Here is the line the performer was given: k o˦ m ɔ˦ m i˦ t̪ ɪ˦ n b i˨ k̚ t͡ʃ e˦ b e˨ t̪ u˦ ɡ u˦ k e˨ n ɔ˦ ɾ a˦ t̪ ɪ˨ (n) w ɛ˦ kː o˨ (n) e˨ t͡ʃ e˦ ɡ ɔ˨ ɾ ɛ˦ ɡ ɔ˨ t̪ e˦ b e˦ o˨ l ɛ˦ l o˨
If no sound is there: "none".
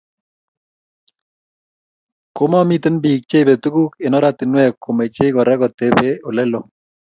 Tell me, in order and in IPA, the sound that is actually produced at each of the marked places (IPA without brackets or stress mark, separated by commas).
n, m